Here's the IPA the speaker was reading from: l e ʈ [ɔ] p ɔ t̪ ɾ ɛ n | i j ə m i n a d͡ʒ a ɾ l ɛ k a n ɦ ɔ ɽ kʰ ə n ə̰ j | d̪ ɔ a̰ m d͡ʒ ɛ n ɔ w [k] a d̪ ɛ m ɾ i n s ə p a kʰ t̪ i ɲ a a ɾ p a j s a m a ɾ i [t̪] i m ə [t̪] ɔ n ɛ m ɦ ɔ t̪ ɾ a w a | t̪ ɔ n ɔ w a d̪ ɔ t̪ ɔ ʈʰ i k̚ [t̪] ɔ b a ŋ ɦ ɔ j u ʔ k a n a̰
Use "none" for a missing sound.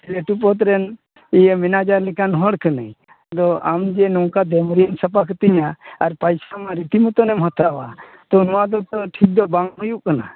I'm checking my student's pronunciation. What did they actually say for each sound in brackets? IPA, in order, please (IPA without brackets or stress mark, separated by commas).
u, k, t̪, t̪, d̪